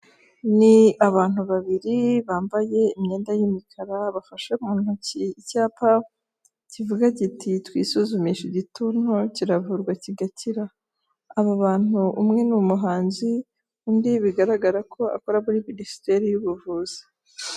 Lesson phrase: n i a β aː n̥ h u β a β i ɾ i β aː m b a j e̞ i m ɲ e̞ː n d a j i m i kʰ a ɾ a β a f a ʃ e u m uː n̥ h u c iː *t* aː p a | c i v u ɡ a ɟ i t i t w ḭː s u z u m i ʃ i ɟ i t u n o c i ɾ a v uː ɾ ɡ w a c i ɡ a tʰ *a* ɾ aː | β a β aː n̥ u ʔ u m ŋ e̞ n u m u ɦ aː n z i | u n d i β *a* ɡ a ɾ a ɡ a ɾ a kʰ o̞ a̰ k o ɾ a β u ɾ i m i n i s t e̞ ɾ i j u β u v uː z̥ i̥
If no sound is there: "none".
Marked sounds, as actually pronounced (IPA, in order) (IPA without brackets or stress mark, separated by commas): c, i, i